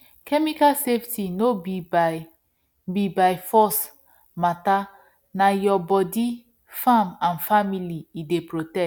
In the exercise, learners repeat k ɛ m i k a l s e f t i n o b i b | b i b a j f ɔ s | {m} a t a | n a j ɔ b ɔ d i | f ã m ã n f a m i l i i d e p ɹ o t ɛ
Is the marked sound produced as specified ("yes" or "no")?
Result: yes